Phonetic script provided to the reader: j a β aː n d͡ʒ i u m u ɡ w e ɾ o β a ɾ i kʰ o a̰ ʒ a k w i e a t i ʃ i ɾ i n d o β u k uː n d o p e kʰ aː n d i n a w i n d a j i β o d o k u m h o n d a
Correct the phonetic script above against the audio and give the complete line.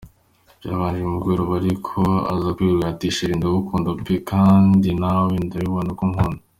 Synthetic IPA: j a β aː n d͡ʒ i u m u ɡ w e ɾ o β a ɾ i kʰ o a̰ z a k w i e a t i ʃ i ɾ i n d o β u k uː n d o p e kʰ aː n d i n a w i n d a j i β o n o k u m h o n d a